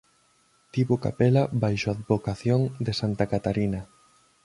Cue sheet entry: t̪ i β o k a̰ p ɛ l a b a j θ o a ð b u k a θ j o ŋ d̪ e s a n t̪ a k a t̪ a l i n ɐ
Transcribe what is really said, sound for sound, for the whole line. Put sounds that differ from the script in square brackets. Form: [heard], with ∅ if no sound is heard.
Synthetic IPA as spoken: t̪ i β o k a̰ p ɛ l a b a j [ʃ] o a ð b [o] k a θ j o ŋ d̪ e s a n t̪ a k a t̪ a [ɾ] i n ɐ